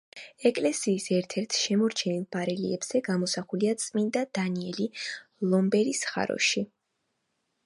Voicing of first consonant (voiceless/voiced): voiceless